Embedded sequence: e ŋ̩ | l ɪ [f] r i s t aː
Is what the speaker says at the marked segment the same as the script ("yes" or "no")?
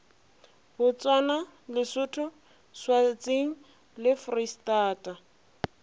yes